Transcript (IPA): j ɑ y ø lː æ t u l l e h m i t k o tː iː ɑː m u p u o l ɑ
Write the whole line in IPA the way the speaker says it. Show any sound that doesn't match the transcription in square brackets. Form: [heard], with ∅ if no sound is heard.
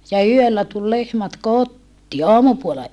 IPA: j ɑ y ø lː æ t u l l e h m [æ] t k o tː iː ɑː m u p u o l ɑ